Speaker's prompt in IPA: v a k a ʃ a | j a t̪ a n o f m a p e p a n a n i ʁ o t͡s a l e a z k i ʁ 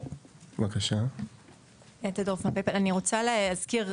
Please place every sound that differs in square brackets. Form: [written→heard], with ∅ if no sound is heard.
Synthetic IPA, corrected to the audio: v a k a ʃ a | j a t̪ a [n→d] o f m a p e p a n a n i ʁ o t͡s a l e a z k i ʁ